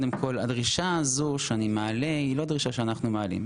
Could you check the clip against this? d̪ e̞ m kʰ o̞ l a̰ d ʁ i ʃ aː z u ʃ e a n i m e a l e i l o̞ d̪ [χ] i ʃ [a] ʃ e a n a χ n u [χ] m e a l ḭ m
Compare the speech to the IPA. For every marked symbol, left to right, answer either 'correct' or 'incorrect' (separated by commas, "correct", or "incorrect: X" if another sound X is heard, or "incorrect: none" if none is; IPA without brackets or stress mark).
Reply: incorrect: ʁ, correct, incorrect: none